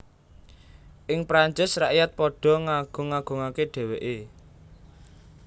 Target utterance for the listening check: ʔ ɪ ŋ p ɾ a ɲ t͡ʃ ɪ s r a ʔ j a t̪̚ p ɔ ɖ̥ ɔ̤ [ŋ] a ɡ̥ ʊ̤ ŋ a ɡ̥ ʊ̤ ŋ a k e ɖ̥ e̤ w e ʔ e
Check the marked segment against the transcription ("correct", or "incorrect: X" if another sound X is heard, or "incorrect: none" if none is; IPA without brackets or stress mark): correct